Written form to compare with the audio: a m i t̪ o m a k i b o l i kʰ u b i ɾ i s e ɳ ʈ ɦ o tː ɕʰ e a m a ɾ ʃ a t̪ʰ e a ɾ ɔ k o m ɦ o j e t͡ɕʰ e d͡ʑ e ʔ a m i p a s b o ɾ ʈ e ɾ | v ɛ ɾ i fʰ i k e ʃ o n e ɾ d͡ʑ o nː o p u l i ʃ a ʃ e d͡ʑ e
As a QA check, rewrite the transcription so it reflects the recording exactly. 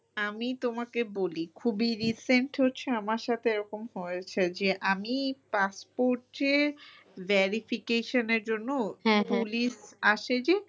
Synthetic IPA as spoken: a m i t̪ o m a k e b o l i kʰ u b i ɾ i s e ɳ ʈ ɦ o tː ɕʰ e a m a ɾ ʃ a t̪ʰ e e ɾ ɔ k o m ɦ o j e t͡ɕʰ e d͡ʑ e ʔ a m i p a s p o ɾ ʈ e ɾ | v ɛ ɾ i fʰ i k e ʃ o n e ɾ d͡ʑ o nː o p u l i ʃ a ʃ e d͡ʑ e